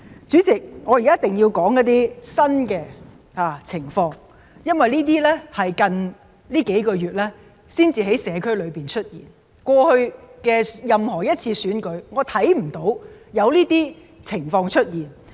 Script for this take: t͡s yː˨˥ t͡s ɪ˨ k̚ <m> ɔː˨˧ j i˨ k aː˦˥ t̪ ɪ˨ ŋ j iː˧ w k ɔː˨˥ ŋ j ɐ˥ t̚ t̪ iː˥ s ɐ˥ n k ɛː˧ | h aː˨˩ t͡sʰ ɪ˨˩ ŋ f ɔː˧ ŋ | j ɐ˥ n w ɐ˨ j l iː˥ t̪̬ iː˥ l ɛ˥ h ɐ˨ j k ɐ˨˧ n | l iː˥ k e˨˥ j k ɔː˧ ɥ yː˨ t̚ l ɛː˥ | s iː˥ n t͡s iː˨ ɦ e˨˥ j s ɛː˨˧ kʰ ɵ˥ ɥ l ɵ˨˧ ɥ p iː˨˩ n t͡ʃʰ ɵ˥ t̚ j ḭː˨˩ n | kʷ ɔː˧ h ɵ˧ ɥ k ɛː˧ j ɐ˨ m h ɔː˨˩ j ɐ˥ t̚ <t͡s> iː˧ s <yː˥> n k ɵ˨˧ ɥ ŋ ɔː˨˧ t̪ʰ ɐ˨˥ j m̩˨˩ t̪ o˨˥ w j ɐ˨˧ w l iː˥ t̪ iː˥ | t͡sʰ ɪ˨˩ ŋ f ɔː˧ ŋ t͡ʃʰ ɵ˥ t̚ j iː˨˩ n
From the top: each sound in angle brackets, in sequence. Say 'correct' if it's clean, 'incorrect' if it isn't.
incorrect: ŋ, incorrect: t͡sʰ, incorrect: yː˨˥

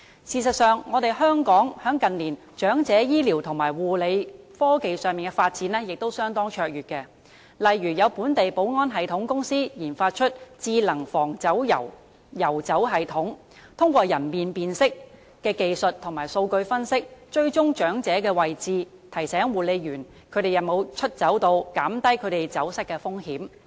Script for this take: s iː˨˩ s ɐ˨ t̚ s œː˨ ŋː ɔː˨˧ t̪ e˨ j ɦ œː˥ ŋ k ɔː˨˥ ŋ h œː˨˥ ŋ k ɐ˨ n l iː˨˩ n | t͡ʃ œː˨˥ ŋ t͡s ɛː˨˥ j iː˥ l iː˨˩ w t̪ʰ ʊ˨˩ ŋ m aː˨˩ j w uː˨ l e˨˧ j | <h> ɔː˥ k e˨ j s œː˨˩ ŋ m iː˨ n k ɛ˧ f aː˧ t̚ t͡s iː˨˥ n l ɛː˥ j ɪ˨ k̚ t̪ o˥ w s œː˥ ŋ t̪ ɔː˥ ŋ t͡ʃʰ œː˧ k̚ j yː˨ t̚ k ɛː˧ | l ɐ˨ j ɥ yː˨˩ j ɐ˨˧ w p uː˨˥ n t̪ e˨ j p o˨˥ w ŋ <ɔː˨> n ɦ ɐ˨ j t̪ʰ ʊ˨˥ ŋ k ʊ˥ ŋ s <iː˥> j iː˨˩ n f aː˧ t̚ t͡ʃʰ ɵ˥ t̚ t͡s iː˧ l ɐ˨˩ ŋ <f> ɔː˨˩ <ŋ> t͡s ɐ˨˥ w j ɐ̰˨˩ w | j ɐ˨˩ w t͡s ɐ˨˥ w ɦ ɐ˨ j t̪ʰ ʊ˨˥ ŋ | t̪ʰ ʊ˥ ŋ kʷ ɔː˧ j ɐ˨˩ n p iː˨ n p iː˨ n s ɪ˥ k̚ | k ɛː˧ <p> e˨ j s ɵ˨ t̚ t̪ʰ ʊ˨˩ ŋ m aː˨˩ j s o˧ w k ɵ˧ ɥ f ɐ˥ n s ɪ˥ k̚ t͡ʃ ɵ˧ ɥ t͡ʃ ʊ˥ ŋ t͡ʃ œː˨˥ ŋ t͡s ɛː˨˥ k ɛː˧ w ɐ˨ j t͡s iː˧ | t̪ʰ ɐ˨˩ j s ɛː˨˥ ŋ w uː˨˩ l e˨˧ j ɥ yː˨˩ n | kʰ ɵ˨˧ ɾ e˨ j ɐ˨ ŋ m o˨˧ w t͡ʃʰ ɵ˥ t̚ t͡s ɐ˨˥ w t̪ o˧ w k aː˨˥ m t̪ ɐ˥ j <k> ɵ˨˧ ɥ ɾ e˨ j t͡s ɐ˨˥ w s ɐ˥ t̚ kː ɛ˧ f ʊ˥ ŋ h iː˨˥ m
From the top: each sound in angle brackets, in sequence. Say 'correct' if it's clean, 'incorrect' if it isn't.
incorrect: f, incorrect: ɔː˥, correct, correct, correct, incorrect: k, incorrect: kʰ

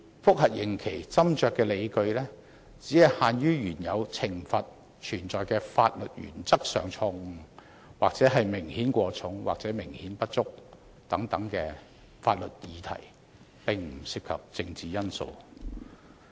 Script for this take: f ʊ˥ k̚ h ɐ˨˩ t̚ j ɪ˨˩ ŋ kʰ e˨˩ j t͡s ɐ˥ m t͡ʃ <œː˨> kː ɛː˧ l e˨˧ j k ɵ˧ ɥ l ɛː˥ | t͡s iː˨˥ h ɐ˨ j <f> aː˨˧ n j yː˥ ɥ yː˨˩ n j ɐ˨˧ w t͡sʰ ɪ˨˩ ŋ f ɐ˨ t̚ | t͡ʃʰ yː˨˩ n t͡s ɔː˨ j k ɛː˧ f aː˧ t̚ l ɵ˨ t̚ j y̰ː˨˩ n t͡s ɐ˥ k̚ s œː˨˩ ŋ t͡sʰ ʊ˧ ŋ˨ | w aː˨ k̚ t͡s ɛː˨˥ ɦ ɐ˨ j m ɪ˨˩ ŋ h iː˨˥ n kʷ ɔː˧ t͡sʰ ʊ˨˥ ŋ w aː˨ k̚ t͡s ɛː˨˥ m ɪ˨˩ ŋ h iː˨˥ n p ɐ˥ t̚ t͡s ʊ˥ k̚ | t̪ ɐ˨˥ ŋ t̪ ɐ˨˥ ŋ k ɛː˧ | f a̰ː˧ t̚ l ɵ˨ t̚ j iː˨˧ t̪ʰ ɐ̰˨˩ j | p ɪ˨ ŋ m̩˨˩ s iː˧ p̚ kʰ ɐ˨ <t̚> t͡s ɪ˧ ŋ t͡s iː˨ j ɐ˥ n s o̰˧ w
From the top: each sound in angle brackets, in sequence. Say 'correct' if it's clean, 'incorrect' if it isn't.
correct, incorrect: h, incorrect: p̚

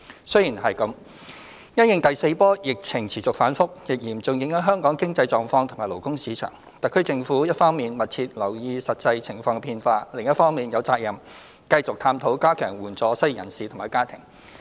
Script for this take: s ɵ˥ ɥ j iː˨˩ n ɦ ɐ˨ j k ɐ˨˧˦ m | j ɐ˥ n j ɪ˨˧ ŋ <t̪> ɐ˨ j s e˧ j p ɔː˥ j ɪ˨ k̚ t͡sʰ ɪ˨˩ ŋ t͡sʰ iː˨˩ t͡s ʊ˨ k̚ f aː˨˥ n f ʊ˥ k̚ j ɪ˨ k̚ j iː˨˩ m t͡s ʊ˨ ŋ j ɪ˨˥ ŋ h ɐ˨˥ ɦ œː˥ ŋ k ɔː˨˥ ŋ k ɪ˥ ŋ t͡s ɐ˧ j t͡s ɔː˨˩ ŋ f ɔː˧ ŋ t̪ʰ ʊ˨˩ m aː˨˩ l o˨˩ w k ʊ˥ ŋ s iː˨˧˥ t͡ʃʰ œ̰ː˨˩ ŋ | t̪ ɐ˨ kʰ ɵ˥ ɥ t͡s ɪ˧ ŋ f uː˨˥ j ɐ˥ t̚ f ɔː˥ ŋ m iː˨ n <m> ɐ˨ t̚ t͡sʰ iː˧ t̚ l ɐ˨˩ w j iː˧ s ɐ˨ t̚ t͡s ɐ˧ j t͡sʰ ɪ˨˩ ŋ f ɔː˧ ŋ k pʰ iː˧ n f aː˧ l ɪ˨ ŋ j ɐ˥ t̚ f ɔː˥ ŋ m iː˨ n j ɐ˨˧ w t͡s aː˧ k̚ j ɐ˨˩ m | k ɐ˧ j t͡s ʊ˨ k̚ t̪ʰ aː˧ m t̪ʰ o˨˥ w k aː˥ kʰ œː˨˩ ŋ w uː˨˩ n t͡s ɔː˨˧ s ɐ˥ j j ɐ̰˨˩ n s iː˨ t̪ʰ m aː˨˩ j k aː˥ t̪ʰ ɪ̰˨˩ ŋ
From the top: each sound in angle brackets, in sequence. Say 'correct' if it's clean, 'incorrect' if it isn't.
correct, correct

